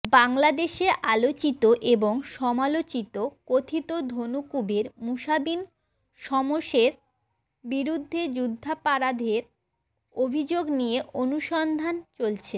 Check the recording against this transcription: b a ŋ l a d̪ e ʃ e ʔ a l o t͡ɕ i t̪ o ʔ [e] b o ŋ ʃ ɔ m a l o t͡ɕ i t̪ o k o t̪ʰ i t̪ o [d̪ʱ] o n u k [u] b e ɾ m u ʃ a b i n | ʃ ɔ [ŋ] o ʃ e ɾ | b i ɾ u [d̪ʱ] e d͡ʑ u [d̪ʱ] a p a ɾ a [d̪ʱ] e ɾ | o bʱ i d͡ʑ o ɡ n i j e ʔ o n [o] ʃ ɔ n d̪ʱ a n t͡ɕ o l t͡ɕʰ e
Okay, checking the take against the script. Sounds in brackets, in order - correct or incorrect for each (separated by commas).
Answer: correct, correct, correct, incorrect, incorrect, incorrect, correct, incorrect